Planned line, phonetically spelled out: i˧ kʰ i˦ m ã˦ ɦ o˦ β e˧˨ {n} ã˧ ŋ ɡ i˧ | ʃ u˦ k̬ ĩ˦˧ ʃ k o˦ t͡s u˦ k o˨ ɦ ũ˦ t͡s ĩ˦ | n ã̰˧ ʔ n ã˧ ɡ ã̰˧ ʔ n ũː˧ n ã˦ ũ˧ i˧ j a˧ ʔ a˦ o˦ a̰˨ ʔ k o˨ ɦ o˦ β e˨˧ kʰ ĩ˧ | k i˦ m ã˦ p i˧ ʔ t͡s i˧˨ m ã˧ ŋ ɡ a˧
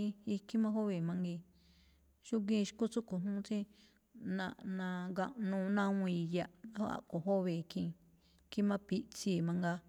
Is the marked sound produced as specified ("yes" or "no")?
no